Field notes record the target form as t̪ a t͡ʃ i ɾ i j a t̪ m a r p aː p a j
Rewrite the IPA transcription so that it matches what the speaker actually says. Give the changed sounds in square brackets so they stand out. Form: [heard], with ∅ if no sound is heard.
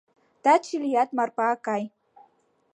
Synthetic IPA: t̪ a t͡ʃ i [l] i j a t̪ m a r p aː [k] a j